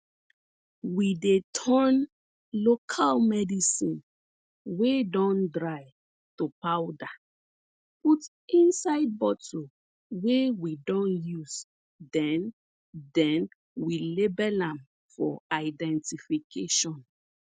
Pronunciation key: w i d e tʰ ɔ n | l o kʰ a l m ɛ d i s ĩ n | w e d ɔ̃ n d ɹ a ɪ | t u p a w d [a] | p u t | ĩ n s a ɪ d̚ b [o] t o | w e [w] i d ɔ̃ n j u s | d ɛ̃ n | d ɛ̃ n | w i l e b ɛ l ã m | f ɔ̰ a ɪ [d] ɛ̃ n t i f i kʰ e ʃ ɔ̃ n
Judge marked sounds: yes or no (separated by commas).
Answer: yes, no, yes, yes